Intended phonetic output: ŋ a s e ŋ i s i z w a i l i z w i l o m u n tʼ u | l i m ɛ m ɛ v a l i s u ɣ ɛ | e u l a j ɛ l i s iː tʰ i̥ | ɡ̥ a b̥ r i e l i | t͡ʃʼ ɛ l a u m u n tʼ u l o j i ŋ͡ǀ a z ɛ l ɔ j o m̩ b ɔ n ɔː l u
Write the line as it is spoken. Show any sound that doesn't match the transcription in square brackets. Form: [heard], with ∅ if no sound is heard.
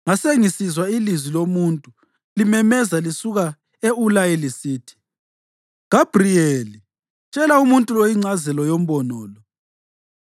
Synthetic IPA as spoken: ŋ a s e ŋ i s i z w a i l i z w i l o m u n tʼ u | l i m ɛ m ɛ [z] a l i s u ɣ [a] | e u l a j ɛ l i s iː tʰ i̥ | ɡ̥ a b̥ r i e l i | t͡ʃʼ ɛ l a u m u n tʼ u l o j i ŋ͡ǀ a z ɛ l ɔ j o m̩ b ɔ n ɔː l [ɔ]